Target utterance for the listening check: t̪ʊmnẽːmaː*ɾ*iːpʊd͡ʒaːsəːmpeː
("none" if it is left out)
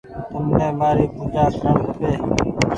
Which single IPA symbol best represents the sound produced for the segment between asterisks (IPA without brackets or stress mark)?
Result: ɾ